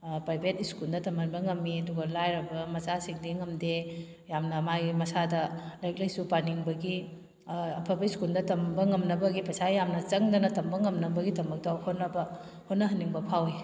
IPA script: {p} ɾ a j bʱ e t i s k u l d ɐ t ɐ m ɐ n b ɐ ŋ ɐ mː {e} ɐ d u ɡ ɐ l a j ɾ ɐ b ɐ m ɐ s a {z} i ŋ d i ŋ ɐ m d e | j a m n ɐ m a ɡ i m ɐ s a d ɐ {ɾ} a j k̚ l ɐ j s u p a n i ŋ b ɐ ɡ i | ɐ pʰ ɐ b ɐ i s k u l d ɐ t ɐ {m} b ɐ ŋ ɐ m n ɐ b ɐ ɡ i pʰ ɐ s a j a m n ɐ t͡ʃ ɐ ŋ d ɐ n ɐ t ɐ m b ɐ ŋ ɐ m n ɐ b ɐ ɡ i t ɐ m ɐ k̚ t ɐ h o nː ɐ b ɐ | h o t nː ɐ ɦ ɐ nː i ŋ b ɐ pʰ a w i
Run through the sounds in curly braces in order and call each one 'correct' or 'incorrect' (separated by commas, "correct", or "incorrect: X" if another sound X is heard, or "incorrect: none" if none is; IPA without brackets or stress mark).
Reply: correct, incorrect: i, incorrect: s, incorrect: l, correct